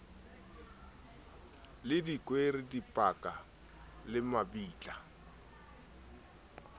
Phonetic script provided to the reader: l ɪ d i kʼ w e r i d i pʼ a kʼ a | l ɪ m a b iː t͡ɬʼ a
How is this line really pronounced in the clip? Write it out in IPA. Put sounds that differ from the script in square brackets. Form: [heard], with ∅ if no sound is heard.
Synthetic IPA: l ɪ d i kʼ w e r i d i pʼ a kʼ a | l ɪ m a b iː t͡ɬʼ a